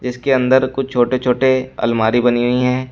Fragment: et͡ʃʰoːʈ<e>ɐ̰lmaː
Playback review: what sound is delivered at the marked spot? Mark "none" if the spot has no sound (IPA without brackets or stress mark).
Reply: e